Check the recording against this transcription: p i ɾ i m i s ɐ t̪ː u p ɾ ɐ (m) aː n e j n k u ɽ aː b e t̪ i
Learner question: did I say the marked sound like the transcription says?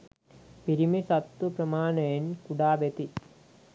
yes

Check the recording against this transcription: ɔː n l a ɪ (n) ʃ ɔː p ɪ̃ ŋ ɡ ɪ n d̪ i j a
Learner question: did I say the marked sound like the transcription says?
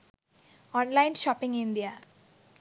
yes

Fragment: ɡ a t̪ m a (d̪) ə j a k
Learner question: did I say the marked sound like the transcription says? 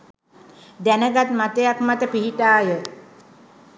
no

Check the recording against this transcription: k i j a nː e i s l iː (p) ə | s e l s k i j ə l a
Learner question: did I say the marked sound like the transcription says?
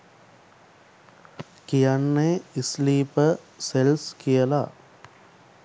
yes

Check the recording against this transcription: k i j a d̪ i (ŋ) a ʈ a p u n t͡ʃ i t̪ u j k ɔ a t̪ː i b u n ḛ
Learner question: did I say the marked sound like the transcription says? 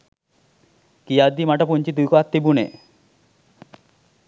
no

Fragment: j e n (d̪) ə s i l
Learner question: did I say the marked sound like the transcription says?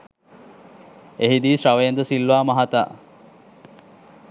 yes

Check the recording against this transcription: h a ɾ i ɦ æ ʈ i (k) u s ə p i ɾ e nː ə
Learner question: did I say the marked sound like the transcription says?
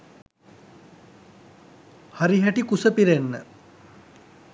yes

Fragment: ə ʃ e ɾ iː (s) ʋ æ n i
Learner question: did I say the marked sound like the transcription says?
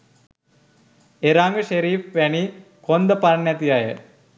no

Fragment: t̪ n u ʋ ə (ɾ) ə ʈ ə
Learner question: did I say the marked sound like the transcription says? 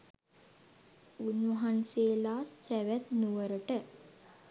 yes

